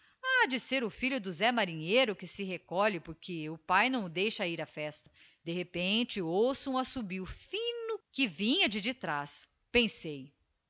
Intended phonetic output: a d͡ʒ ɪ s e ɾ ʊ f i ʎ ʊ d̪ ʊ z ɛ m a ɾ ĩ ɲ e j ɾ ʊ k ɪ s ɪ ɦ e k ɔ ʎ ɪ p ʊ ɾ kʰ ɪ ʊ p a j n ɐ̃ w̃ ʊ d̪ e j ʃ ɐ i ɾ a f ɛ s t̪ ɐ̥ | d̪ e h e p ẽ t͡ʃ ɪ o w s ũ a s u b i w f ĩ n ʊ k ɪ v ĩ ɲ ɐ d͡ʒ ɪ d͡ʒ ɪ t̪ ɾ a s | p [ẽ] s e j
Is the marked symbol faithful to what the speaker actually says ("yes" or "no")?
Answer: yes